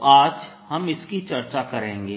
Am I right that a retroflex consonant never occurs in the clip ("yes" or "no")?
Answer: yes